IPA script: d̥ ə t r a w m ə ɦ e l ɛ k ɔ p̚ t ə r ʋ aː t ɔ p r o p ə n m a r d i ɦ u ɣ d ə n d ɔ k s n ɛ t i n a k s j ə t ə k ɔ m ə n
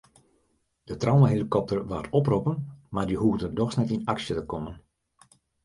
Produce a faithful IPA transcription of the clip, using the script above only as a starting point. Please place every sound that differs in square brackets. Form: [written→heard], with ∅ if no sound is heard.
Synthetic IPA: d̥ ə t r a w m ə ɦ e l [ɛ→i] k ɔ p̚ t ə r ʋ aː t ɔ p r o p ə n m a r d i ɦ u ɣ d ə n d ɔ [k→x] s n ɛ t i n a k s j ə t ə k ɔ m ə n